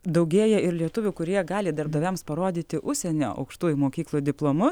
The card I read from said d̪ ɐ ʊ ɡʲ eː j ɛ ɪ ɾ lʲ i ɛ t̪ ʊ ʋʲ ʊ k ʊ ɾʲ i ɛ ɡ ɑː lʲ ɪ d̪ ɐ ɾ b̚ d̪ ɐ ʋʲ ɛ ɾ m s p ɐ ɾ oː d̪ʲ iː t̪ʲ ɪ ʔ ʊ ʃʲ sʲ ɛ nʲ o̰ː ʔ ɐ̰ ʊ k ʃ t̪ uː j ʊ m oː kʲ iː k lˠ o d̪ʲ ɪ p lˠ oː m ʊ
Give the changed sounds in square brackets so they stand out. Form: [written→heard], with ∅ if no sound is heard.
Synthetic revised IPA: d̪ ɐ ʊ ɡʲ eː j ɛ ɪ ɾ lʲ i ɛ t̪ ʊ ʋʲ ʊ k ʊ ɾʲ i ɛ ɡ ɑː lʲ ɪ d̪ ɐ ɾ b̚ d̪ ɐ ʋʲ ɛ [ɾ→∅] m s p ɐ ɾ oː d̪ʲ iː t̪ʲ ɪ ʔ ʊ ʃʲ sʲ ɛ nʲ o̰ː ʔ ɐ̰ ʊ k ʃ t̪ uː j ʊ m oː kʲ iː k lˠ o d̪ʲ ɪ p lˠ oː m ʊ